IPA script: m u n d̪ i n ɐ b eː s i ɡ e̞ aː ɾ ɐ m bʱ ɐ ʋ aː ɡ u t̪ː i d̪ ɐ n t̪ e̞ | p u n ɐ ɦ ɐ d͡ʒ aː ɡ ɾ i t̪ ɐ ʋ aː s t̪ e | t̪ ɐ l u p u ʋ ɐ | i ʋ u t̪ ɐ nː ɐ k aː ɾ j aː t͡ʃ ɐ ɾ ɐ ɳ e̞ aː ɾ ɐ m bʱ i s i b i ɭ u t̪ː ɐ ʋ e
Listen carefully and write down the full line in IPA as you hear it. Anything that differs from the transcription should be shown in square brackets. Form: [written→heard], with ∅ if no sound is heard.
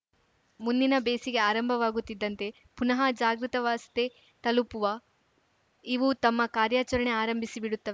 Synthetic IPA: m u n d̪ i n ɐ b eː s i ɡ e̞ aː ɾ ɐ m bʱ ɐ ʋ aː ɡ u t̪ː i [d̪→d̪ː] ɐ n t̪ e̞ | p u n ɐ ɦ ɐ d͡ʒ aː ɡ ɾ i t̪ ɐ ʋ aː s t̪ e | t̪ ɐ l u p u ʋ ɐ | i ʋ u t̪ ɐ [nː→mː] ɐ k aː ɾ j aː t͡ʃ ɐ ɾ ɐ ɳ e̞ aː ɾ ɐ m bʱ i s i b i [ɭ→ɽ] u t̪ː ɐ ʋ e

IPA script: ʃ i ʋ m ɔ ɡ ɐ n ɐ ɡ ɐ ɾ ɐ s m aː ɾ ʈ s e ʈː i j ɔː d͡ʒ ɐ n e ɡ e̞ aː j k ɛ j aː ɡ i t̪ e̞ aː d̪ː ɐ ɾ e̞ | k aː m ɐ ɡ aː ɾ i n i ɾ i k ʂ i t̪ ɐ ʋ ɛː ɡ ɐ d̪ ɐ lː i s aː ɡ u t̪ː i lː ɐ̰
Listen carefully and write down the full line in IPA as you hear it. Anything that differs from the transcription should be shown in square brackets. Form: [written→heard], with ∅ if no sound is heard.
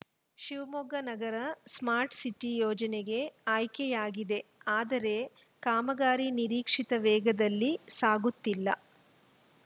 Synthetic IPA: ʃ i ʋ m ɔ ɡ ɐ n ɐ ɡ ɐ ɾ ɐ s m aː ɾ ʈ s [e→i] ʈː i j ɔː d͡ʒ ɐ n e ɡ e̞ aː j k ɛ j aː ɡ i [t̪→d̪] e̞ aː [d̪ː→d̪] ɐ ɾ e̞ | k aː m ɐ ɡ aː ɾ i n i ɾ [i→iː] k ʂ i t̪ ɐ ʋ ɛː ɡ ɐ d̪ ɐ lː i s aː ɡ u t̪ː i lː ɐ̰

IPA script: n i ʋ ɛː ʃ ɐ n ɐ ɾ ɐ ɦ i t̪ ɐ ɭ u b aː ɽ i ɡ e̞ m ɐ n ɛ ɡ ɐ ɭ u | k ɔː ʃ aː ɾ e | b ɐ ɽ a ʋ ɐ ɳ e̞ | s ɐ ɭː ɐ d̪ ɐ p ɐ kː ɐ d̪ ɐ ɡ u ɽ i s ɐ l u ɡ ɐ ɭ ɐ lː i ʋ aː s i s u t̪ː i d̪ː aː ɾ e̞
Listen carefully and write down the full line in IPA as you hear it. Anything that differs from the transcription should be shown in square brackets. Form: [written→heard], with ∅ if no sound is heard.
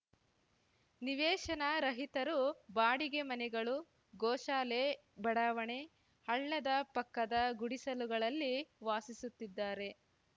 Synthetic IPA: n i ʋ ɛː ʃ ɐ n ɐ ɾ ɐ ɦ i t̪ ɐ [ɭ→ɾ] u b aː ɽ i ɡ e̞ m ɐ n ɛ ɡ ɐ ɭ u | [k→ɡ] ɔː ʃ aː [ɾ→l] e | b ɐ ɽ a ʋ ɐ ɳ e̞ | [s→h] ɐ ɭː ɐ d̪ ɐ p ɐ kː ɐ d̪ ɐ ɡ u ɽ i s ɐ l u ɡ ɐ ɭ ɐ lː i ʋ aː s i s u t̪ː i d̪ː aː ɾ e̞

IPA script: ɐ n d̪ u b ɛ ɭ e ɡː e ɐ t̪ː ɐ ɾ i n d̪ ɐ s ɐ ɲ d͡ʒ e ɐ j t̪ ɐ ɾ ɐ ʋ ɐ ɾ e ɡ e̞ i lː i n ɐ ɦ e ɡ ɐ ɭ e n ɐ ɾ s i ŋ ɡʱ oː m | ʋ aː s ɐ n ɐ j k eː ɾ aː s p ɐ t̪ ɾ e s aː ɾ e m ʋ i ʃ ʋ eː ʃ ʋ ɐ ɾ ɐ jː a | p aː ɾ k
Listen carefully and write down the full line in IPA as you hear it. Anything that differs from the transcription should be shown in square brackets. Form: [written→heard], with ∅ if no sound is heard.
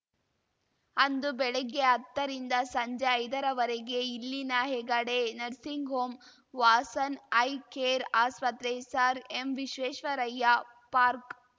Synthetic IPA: ɐ n d̪ u b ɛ ɭ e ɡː e ɐ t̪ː ɐ ɾ i n d̪ ɐ s ɐ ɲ d͡ʒ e ɐ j [t̪→d̪] ɐ ɾ ɐ ʋ ɐ ɾ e ɡ e̞ i lː i n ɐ ɦ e ɡ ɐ [ɭ→ɽ] e n ɐ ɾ s i ŋ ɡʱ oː m | ʋ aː s ɐ n ɐ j k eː ɾ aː s p ɐ t̪ ɾ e s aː ɾ e m ʋ i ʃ ʋ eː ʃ ʋ ɐ ɾ ɐ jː a | p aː ɾ k

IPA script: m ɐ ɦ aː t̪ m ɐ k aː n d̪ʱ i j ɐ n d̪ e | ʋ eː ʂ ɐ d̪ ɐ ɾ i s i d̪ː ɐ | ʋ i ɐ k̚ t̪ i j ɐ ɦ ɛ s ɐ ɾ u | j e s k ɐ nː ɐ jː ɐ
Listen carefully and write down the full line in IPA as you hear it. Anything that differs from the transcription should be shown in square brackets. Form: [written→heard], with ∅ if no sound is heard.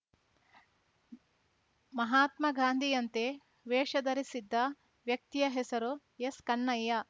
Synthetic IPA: m ɐ ɦ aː t̪ m ɐ [k→ɡ] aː n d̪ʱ i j ɐ n [d̪→t̪] e | ʋ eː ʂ ɐ d̪ ɐ ɾ i s i d̪ː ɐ | ʋ [i→j] ɐ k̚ t̪ i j ɐ ɦ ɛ s ɐ ɾ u | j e s k ɐ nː ɐ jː ɐ

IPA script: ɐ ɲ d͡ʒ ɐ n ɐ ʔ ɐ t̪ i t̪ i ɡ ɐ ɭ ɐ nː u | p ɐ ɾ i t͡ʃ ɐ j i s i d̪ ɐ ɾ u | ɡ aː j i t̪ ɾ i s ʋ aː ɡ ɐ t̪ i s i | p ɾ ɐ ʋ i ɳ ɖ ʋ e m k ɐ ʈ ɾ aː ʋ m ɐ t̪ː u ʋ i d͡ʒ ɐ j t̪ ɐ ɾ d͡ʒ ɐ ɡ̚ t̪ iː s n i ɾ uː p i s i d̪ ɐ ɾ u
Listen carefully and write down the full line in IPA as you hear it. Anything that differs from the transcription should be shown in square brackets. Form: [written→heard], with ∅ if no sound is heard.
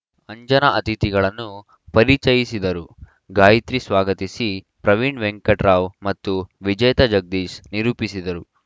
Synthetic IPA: ɐ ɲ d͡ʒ ɐ n ɐ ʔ ɐ t̪ i t̪ i ɡ ɐ ɭ ɐ nː u | p ɐ ɾ i t͡ʃ ɐ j i s i d̪ ɐ ɾ u | ɡ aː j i t̪ ɾ i s ʋ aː ɡ ɐ t̪ i s i | p ɾ ɐ ʋ i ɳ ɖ ʋ e [m→ŋ] k ɐ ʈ ɾ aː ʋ m ɐ t̪ː u ʋ i d͡ʒ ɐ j t̪ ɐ [ɾ→∅] d͡ʒ ɐ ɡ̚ [t̪→d̪] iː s n i ɾ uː p i s i d̪ ɐ ɾ u

